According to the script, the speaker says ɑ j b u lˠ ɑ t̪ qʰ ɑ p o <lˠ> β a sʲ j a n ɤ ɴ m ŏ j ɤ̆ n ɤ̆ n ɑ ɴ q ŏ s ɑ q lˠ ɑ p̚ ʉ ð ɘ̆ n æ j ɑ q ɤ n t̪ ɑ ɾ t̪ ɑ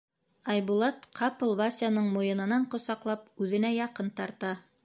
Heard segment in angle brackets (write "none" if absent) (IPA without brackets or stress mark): lˠ